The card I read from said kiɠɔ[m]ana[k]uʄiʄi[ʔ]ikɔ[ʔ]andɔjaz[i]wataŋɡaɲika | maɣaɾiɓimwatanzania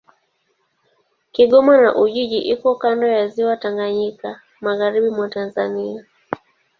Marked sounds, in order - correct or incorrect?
correct, incorrect: ʔ, correct, incorrect: k, correct

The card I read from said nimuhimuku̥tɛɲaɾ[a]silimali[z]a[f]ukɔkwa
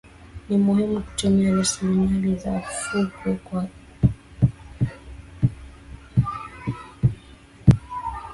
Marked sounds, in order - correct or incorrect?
correct, correct, correct

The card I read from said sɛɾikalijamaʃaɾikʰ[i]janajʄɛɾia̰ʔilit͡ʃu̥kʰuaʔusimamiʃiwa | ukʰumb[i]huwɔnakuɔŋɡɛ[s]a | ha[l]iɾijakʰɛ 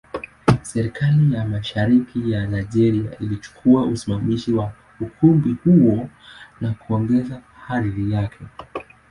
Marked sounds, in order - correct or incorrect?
correct, correct, incorrect: z, incorrect: ɾ

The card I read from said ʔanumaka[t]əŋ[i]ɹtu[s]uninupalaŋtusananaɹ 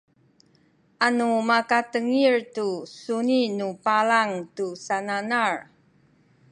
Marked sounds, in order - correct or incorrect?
correct, correct, correct

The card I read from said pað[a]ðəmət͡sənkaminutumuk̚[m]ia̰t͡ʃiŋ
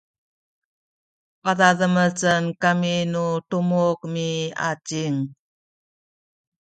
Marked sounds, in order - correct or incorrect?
correct, correct

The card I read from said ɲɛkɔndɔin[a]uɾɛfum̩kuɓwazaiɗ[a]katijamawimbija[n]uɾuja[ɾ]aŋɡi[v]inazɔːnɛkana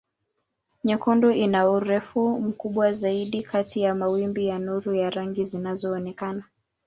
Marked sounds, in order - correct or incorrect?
correct, incorrect: i, correct, correct, incorrect: z

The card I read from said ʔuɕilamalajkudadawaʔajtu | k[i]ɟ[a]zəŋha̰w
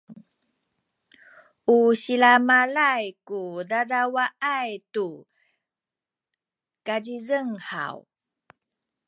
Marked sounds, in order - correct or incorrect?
incorrect: a, incorrect: i

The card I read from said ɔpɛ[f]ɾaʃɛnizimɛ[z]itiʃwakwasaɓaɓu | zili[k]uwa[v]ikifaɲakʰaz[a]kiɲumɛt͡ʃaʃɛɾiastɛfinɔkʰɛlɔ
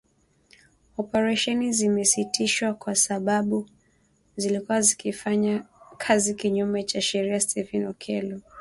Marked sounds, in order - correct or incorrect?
incorrect: none, incorrect: s, correct, incorrect: z, incorrect: i

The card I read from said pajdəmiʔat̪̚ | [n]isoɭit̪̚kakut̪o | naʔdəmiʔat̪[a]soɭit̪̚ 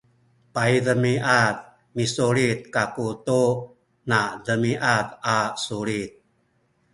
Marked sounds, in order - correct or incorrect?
incorrect: m, correct

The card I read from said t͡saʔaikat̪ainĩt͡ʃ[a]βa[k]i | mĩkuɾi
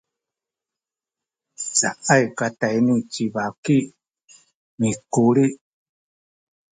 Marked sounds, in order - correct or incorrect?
incorrect: i, correct

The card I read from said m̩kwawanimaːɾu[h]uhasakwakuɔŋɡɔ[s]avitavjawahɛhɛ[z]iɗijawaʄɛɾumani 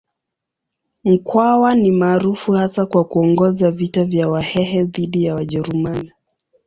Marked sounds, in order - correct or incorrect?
incorrect: f, incorrect: z, incorrect: ð

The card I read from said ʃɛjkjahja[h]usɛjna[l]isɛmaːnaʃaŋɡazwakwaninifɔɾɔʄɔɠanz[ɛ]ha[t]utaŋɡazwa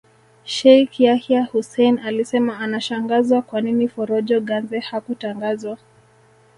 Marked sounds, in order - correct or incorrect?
correct, correct, correct, incorrect: k

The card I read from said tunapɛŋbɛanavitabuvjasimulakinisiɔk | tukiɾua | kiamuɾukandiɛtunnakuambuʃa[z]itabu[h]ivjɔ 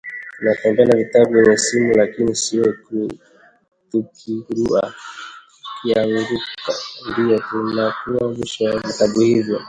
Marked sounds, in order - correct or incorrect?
incorrect: v, correct

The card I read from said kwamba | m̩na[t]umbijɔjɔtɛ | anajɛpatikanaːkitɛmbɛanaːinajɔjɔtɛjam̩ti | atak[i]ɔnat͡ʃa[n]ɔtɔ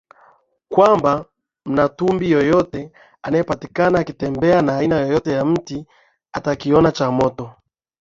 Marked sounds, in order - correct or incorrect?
correct, correct, incorrect: m

